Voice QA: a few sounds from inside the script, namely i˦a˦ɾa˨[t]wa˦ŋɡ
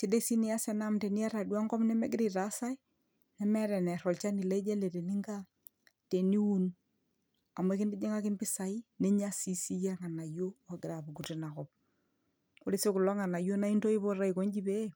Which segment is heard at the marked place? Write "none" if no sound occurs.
d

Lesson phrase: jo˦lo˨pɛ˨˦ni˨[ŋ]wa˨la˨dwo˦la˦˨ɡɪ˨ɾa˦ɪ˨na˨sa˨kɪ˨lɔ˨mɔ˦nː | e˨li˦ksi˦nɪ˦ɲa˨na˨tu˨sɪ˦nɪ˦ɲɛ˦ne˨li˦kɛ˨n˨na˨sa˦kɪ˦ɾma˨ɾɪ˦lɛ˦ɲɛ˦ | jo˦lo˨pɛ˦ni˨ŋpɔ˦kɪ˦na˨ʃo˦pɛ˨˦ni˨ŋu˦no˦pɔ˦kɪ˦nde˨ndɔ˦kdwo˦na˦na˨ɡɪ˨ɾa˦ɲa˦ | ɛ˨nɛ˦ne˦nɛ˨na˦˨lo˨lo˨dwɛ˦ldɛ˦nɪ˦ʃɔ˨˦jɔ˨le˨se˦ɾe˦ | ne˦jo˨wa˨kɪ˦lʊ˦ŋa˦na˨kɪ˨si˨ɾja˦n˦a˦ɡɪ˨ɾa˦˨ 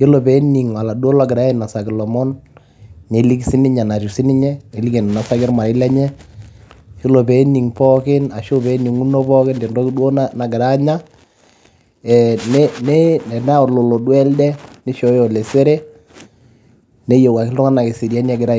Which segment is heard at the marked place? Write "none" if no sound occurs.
ŋ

